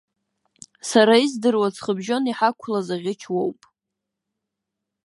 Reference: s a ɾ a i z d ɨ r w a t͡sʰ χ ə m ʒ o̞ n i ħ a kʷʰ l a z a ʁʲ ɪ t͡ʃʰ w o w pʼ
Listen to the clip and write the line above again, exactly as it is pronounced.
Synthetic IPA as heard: s a ɾ a i z d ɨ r w a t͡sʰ χ ə b ʒ o̞ n i ħ a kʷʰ l a z a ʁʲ ɪ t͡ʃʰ w o w pʼ